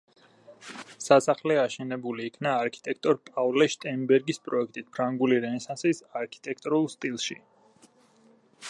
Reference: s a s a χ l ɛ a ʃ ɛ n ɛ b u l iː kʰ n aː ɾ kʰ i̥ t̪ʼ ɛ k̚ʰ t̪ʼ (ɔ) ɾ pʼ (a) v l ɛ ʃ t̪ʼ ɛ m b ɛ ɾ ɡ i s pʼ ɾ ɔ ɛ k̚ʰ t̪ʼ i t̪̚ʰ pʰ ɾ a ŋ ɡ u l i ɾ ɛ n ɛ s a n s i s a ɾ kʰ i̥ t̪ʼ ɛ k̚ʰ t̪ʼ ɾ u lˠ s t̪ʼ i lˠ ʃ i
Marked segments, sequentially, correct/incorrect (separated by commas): correct, correct